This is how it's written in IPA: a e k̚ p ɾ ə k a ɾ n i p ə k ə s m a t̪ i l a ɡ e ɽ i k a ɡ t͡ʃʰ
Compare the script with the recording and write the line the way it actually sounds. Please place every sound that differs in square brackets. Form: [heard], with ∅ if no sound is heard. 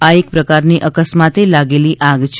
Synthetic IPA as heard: a e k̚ p ɾ ə k a ɾ n i [ʔ] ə k ə s m a t̪ [e] l a ɡ e [l] i [ʔ] a ɡ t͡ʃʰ

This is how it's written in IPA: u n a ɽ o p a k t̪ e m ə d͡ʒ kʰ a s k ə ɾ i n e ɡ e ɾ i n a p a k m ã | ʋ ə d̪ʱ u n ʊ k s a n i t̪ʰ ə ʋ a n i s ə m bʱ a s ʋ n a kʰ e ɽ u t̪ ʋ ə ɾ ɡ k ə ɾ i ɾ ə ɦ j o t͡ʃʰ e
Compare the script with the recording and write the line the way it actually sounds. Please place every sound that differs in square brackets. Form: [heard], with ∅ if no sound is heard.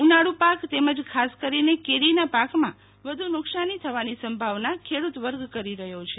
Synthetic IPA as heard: u n a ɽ [u] p a k t̪ e m ə d͡ʒ kʰ a s k ə ɾ i n e [k] e ɾ i n a p a k m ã | ʋ ə d̪ʱ u n ʊ k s a n i t̪ʰ ə ʋ a n i s ə m bʱ a [∅] ʋ n a kʰ e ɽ u t̪ ʋ ə ɾ ɡ k ə ɾ i ɾ ə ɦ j o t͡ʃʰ e

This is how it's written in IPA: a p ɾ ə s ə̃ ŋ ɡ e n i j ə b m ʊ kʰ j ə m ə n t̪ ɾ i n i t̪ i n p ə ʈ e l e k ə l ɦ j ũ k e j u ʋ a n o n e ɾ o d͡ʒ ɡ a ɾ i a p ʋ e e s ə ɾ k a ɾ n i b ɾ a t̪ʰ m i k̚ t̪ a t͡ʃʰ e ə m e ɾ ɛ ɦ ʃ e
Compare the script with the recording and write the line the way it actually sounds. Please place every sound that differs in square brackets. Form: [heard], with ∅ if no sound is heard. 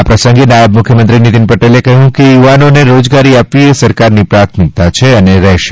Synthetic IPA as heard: a p ɾ ə s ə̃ ŋ ɡ e n [a] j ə b m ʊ kʰ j ə m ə n t̪ ɾ i n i t̪ i n p ə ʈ e l e k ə [∅] ɦ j ũ k e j u ʋ a n o n e ɾ o d͡ʒ ɡ a ɾ i a p ʋ [i] e s ə ɾ k a ɾ n i [p] ɾ a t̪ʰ m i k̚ t̪ a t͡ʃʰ e ə [n] e ɾ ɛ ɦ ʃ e

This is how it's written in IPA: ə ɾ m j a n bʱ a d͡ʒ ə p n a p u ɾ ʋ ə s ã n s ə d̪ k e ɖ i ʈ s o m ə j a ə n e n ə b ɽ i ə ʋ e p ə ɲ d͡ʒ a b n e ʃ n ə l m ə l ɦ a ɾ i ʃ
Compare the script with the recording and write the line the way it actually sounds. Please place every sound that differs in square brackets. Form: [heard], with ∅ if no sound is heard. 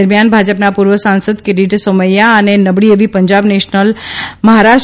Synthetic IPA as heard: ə ɾ m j a n bʱ a d͡ʒ ə p n a p u ɾ ʋ ə s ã n s ə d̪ k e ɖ i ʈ s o m ə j a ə n e n ə b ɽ i ə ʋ [i] p ə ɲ d͡ʒ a b n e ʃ n ə l m ə [∅] ɦ a ɾ [a] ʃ

